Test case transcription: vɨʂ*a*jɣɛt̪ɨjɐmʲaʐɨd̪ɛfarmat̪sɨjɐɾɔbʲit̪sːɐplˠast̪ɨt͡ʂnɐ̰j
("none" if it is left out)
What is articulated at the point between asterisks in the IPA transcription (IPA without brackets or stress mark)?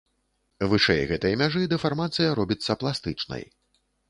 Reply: ɛ